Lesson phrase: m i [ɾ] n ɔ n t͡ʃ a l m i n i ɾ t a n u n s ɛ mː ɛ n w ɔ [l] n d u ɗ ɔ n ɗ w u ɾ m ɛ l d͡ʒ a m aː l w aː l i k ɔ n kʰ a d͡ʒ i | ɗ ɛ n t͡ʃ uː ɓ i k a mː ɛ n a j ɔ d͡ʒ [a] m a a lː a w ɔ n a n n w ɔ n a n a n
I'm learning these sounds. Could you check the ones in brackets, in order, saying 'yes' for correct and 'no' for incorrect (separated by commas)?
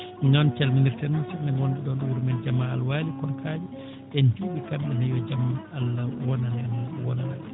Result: no, no, yes